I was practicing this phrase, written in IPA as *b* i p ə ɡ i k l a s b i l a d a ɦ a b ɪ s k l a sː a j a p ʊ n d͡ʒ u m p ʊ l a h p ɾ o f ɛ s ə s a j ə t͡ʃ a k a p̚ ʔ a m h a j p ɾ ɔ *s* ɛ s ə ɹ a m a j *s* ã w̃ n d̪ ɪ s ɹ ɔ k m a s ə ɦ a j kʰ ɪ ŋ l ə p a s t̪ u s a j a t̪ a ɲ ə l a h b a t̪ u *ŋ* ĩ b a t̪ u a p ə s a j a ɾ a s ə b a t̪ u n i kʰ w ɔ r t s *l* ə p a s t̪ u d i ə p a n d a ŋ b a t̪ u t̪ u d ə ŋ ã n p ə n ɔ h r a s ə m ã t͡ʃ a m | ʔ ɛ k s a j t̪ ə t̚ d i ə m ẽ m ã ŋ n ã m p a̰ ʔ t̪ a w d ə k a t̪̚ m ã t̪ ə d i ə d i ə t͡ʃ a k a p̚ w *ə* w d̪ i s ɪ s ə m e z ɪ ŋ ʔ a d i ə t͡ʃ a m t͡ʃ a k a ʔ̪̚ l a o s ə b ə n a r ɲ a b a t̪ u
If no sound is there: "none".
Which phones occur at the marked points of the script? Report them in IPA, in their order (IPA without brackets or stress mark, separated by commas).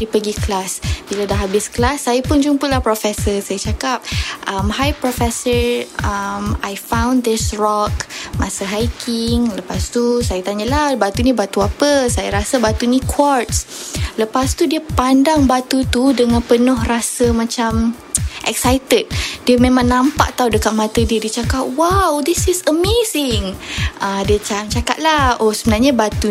d, f, f, n, l, a